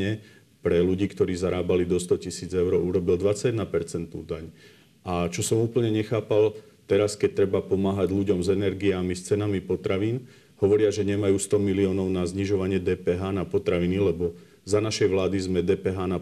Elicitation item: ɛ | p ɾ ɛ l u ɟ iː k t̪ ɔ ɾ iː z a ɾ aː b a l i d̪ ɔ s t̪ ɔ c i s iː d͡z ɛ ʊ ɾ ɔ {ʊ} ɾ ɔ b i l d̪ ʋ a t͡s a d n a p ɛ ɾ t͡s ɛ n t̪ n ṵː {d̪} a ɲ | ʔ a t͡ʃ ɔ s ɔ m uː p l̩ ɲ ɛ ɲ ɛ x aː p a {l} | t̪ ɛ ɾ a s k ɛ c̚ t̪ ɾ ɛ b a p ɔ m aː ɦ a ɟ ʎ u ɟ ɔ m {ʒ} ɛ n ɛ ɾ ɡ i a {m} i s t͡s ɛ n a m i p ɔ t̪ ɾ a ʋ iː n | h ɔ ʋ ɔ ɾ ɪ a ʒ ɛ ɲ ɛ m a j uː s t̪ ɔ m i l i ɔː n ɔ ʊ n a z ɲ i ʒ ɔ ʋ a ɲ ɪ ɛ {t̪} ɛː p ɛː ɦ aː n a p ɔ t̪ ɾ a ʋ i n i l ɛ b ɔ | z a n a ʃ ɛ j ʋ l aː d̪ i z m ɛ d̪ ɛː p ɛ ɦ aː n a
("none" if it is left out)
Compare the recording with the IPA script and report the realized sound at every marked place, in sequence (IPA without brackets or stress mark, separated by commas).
u, d̪, l, z, m, d̪